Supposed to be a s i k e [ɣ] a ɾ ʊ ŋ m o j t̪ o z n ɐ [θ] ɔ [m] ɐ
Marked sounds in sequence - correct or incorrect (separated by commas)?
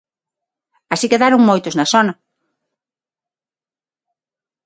incorrect, incorrect, incorrect